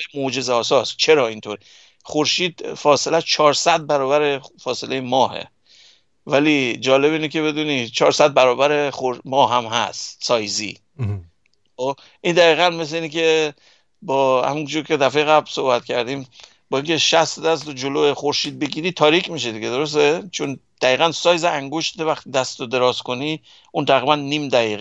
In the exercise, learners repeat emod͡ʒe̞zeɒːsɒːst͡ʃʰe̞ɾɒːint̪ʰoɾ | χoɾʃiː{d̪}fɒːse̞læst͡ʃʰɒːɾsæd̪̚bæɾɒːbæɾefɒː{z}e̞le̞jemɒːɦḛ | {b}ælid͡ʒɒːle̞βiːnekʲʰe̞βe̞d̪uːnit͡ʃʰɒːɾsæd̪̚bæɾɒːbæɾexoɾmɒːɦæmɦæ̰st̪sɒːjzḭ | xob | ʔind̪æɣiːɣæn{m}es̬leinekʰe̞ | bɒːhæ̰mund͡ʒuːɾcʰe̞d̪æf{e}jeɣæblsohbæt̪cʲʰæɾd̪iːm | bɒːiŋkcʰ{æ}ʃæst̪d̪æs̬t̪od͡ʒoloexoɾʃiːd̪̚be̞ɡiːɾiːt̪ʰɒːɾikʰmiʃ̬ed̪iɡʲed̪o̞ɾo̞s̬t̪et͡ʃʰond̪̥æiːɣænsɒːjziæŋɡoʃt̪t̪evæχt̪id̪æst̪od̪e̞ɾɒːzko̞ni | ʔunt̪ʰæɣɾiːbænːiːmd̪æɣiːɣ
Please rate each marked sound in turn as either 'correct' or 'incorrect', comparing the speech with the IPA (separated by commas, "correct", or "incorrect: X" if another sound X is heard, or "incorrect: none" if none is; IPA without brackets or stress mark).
correct, incorrect: s, incorrect: v, correct, correct, incorrect: e